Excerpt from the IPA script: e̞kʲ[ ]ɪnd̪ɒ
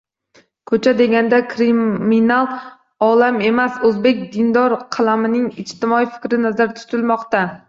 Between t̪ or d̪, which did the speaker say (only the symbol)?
d̪